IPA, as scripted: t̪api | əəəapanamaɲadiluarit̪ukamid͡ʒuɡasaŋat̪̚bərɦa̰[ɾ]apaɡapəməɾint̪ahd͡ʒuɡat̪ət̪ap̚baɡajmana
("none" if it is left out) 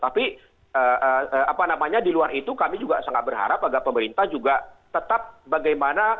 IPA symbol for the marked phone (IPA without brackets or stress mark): ɾ